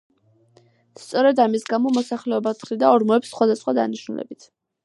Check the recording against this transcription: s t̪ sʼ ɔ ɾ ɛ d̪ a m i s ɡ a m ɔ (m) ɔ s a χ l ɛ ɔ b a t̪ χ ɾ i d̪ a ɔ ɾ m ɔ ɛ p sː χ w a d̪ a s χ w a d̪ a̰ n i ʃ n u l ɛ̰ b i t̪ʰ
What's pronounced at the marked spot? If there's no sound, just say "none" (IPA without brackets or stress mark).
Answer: m